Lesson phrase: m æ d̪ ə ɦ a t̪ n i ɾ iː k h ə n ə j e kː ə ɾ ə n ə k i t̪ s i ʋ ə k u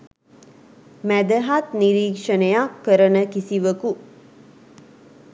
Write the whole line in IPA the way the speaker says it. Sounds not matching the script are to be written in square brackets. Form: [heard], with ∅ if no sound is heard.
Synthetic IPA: m æ d̪ ə ɦ a t̪ n i ɾ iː k [ʂ] ə n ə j [a] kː ə ɾ ə n ə k i [∅] s i ʋ ə k u

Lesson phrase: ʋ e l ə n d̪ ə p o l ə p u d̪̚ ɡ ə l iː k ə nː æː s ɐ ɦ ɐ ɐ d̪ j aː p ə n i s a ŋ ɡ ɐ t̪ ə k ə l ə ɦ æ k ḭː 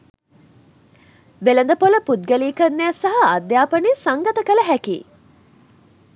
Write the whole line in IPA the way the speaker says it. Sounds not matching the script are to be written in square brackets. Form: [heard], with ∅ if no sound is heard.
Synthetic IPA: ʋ e l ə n d̪ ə p o l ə p u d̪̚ ɡ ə l iː k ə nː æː s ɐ ɦ ɐ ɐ d̪ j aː p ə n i s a ŋ ɡ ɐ t̪ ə k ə l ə ɦ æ k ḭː

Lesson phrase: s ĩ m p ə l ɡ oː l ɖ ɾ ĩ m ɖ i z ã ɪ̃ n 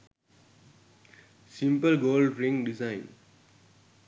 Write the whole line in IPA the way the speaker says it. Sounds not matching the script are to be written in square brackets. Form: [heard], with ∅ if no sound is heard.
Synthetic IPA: s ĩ m p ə l ɡ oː l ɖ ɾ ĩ [ŋ] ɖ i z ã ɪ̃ n

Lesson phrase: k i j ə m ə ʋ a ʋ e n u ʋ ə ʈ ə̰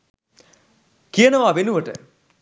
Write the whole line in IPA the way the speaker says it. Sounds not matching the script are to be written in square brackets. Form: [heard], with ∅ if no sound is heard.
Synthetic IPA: k i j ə [n] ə ʋ a ʋ e n u ʋ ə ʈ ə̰

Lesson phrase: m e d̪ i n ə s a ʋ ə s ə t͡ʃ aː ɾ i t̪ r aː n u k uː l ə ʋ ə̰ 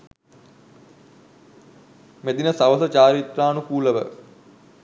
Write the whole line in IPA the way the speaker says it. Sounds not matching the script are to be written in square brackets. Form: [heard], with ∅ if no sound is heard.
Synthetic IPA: m e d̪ i n ə s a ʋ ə s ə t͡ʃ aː ɾ i t̪ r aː n u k uː l ə ʋ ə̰

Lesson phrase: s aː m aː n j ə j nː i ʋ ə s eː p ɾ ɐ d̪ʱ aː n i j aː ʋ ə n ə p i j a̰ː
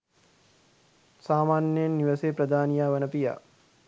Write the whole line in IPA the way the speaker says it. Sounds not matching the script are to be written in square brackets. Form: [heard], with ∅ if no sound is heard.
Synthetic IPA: s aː m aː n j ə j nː i ʋ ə s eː p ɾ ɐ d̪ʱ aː n i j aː ʋ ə n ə p i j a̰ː

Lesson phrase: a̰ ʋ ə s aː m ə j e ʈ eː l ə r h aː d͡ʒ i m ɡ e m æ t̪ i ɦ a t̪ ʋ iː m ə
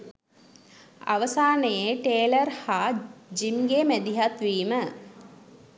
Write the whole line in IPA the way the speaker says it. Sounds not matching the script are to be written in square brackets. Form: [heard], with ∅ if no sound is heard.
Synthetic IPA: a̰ ʋ ə s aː [n] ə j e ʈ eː l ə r h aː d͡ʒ i m ɡ e m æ [d̪] i ɦ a t̪ ʋ iː m ə

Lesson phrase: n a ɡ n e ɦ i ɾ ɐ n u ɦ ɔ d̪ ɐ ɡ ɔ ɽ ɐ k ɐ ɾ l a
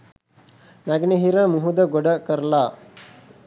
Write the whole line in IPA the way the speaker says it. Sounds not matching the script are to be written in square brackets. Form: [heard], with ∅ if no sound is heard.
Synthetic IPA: n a ɡ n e ɦ i ɾ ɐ [m] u ɦ [u] d̪ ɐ ɡ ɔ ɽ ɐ k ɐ ɾ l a

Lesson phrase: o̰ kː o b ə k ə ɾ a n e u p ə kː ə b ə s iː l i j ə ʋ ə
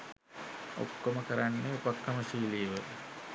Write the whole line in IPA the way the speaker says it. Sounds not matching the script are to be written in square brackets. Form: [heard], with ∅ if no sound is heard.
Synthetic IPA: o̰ kː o [m] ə k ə ɾ a [nː] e u p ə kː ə [m] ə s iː l i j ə ʋ ə

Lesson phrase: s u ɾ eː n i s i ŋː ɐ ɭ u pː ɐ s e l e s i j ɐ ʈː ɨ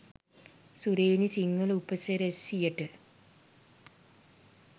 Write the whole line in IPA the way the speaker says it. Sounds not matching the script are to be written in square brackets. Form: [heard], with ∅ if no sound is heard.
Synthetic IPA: s u ɾ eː n i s i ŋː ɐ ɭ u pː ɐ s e [ɾ] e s i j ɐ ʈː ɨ

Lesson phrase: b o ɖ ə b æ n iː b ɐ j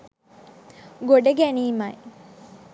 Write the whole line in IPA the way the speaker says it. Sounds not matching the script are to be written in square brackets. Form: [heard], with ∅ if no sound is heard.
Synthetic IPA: [ɡ] o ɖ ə [ɡ] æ n iː [m] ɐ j

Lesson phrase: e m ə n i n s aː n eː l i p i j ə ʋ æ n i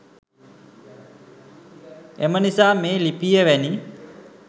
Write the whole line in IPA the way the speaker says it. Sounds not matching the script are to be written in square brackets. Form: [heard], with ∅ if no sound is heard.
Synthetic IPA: e m ə n i [∅] s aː [m] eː l i p i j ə ʋ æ n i

